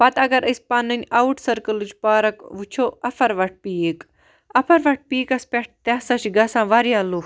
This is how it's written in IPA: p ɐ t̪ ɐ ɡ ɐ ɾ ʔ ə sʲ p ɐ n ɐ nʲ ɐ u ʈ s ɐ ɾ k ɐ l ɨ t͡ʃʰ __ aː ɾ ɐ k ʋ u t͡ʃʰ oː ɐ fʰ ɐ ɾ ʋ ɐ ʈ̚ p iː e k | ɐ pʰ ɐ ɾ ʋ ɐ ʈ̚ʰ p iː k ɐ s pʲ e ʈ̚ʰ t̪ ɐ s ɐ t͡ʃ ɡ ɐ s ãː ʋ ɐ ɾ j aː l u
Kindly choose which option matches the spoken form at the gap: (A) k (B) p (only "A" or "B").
B